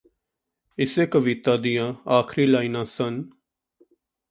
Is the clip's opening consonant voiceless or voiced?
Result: voiceless